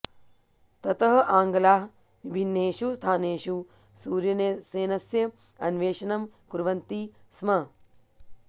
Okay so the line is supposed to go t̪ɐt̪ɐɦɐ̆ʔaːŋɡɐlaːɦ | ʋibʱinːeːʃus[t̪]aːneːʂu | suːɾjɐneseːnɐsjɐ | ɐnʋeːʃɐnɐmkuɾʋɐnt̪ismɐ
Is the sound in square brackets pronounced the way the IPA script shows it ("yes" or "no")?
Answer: no